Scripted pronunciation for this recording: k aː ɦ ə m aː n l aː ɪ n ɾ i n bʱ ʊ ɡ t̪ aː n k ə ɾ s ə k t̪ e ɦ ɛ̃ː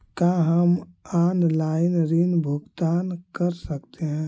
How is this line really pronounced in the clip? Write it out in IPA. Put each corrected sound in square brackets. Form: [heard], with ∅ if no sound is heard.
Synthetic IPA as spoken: k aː ɦ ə m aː n l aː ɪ n ɾ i n bʱ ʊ ɡ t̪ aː n k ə ɾ s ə k t̪ e ɦ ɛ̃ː